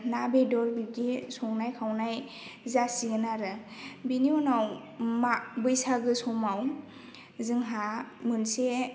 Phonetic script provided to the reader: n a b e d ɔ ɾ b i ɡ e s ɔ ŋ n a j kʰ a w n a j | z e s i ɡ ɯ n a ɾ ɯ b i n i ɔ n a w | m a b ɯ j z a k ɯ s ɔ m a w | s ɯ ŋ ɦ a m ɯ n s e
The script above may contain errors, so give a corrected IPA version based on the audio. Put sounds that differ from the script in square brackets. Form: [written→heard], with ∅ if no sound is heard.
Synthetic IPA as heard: n a b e d ɔ ɾ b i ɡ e s ɔ ŋ n a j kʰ a w n a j | z [e→a] s i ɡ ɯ n a ɾ ɯ b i n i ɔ n a w | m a b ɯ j [z→s] a [k→ɡ] ɯ s ɔ m a w | [s→z] ɯ ŋ ɦ a m ɯ n s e